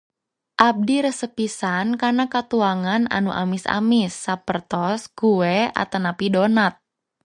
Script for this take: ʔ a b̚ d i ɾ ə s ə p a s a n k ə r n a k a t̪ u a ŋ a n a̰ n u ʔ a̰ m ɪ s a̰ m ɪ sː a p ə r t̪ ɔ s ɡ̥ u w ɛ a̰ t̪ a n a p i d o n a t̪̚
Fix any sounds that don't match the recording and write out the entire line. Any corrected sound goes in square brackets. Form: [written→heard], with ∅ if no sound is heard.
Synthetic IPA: ʔ a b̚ d i ɾ ə s ə p [a→i] s a n k [ə→a] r n a k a t̪ u a ŋ a n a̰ n u ʔ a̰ m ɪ s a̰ m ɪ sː a p ə r t̪ ɔ s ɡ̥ u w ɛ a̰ t̪ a n a p i d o n a t̪̚